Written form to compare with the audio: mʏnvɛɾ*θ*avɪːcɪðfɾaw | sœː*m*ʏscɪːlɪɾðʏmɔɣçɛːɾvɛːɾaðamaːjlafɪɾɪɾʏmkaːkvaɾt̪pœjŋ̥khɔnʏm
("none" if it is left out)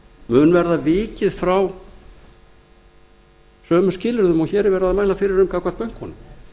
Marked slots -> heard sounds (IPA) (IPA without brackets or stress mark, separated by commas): ð, m